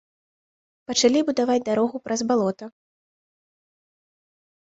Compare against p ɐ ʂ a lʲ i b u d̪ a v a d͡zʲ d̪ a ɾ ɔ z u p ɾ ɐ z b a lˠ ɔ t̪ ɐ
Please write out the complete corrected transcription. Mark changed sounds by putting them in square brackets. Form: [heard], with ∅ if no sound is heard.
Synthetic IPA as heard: p ɐ [t͡ʂ] a lʲ i b u d̪ a v a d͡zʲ d̪ a ɾ ɔ [ɣ] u p ɾ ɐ z b a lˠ ɔ t̪ ɐ